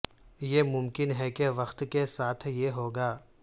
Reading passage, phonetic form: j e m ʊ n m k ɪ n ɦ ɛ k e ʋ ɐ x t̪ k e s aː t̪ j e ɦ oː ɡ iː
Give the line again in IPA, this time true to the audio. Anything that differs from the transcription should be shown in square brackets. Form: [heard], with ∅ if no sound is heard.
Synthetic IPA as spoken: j e m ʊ [∅] m k ɪ n ɦ ɛ k e ʋ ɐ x t̪ k e s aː [t̪ʰ] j e ɦ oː ɡ [aː]